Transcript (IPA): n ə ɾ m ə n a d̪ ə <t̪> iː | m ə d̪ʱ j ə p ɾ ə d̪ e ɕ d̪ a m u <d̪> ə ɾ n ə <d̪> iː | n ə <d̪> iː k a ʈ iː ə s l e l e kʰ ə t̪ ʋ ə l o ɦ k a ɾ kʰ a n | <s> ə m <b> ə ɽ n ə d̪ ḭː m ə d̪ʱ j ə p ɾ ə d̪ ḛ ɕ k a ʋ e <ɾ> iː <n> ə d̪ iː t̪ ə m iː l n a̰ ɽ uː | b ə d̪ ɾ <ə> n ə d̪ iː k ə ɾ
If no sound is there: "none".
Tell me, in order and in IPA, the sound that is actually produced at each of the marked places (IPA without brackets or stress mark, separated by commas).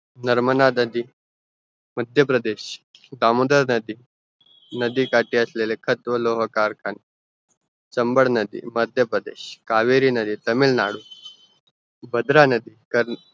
d̪, d̪, d̪, d̪, t͡s, b, ɾ, n, a